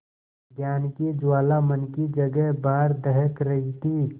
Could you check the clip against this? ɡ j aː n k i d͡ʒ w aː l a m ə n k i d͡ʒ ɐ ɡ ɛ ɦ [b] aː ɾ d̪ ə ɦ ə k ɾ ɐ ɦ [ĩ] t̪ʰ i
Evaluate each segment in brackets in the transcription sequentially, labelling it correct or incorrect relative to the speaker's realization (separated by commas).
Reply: correct, incorrect